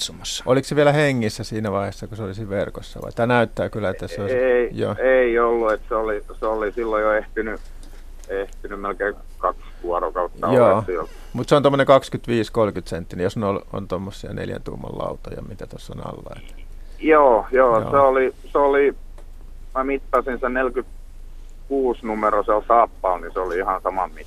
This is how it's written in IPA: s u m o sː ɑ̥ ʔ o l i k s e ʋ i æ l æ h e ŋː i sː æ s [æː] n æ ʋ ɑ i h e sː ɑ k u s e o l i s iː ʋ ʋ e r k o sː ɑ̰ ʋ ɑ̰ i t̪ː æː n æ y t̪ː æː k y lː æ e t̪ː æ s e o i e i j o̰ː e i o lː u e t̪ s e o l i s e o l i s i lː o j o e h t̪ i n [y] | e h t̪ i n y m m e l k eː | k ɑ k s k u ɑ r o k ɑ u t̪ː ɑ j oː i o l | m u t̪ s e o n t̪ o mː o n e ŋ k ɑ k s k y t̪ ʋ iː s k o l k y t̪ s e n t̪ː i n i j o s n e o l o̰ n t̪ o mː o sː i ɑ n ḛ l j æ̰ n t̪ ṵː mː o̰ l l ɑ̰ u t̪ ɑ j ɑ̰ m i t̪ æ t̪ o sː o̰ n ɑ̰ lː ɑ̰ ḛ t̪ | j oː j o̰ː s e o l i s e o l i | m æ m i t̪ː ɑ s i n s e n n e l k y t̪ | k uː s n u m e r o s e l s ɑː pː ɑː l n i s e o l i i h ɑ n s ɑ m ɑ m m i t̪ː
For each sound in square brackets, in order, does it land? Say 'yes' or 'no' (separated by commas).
no, yes